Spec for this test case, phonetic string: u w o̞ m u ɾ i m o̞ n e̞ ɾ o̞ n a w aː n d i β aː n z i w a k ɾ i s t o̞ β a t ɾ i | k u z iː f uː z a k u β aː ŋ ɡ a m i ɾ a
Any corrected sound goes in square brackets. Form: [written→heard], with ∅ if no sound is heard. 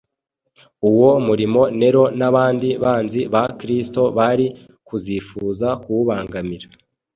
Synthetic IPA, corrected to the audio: u w o̞ m u ɾ i m o̞ n e̞ ɾ o̞ n a [w→β] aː n d i β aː n z i [w→β] a k ɾ i s t o̞ β a [t→∅] ɾ i | k u z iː f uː z a k u β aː ŋ ɡ a m i ɾ a